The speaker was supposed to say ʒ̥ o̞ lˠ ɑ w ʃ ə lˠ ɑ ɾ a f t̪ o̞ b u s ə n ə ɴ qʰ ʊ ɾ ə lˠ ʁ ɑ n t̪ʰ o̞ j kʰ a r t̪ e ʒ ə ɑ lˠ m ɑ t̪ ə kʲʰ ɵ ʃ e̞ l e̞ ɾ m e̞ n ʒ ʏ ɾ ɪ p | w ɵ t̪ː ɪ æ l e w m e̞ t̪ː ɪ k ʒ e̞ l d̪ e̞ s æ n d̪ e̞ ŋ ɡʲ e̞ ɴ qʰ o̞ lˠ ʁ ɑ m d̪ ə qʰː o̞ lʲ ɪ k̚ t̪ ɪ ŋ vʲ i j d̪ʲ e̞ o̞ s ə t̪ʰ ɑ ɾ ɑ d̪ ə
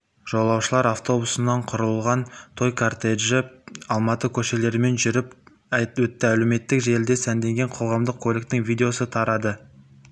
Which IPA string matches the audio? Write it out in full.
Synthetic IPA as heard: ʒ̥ o̞ lˠ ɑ w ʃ ə lˠ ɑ ɾ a f t̪ o̞ b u s ə n ɑ ɴ qʰ ʊ ɾ ə lˠ ʁ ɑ n t̪ʰ o̞ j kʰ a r t̪ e ʒ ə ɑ lˠ m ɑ t̪ ə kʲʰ ɵ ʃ e̞ l e̞ ɾ m e̞ n ʒ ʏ ɾ ɪ p | w ɵ t̪ː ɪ æ l e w m e̞ t̪ː ɪ k ʒ e̞ l d̪ e̞ s æ n d̪ e̞ ŋ ɡʲ e̞ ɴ qʰ o̞ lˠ ʁ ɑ m d̪ ə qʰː o̞ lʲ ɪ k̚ t̪ ɪ ŋ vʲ i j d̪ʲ e̞ o̞ s ə t̪ʰ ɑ ɾ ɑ d̪ ə